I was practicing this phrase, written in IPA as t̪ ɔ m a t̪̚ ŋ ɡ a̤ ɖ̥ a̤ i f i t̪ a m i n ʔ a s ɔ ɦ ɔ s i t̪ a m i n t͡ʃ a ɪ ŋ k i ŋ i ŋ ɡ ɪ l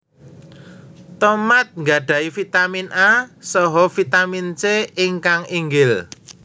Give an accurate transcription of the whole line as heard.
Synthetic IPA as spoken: t̪ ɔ m a t̪̚ ŋ ɡ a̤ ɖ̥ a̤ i f i t̪ a m i n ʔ a s ɔ ɦ ɔ f i t̪ a m i n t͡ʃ e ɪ ŋ k a ŋ i ŋ ɡ ɪ l